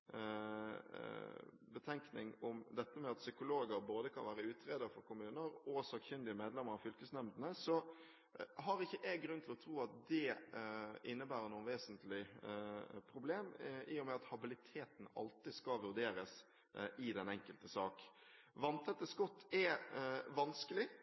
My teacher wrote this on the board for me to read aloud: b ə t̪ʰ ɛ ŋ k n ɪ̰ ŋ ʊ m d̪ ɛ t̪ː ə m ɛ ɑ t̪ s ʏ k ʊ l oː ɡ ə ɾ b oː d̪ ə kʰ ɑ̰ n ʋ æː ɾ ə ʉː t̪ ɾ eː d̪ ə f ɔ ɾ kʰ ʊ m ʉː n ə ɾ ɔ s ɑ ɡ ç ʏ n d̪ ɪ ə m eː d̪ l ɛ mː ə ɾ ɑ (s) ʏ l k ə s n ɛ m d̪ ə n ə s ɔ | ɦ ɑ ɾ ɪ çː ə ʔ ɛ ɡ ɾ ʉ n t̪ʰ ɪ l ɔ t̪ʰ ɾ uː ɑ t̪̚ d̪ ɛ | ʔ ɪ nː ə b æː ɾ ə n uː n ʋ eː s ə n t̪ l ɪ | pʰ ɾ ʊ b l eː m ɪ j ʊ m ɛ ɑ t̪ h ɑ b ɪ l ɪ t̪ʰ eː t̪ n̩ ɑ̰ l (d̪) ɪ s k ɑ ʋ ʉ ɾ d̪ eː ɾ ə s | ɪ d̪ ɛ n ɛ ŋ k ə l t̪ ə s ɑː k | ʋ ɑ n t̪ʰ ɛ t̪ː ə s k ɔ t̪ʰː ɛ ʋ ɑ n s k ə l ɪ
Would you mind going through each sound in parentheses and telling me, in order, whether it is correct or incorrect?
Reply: incorrect: f, incorrect: t̪

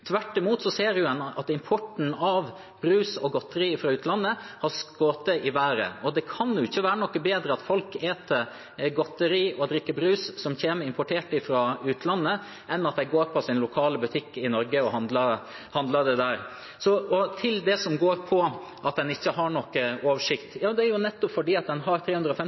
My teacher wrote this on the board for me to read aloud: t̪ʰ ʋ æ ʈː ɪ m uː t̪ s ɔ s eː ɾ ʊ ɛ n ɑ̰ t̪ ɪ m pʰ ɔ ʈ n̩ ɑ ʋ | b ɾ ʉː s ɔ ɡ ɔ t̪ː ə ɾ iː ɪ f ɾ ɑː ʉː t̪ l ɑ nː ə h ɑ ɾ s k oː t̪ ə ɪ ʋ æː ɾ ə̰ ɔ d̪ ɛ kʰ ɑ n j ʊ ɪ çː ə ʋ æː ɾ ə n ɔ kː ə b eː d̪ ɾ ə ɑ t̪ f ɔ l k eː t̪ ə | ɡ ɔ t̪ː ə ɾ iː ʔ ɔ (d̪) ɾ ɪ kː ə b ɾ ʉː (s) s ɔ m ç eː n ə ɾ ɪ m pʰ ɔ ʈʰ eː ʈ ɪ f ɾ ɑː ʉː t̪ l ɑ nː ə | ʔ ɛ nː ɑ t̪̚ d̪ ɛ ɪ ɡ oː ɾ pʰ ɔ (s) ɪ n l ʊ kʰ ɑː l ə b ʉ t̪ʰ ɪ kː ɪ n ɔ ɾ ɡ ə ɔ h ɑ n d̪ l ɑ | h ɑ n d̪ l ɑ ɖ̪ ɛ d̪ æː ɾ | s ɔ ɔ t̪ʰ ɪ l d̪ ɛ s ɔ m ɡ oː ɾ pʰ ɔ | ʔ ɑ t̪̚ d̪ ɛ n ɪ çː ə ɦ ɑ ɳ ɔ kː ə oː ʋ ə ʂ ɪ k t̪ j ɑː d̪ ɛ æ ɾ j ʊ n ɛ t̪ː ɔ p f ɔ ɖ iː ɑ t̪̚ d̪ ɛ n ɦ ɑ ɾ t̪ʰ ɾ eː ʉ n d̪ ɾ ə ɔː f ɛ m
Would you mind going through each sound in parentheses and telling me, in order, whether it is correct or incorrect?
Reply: correct, correct, correct

